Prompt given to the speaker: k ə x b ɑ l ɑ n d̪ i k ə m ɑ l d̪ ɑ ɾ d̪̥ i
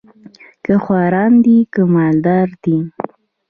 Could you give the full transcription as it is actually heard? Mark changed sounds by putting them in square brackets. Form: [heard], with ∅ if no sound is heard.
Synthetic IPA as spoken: k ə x [w] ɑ [ɾ] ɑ n d̪ i k ə m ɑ l d̪ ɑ ɾ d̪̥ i